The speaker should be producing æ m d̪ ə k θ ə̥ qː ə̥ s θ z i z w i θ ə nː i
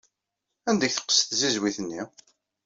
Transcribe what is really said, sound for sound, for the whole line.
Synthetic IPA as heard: æ n d̪ ə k θ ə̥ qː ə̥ s θ z i z w i θ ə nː i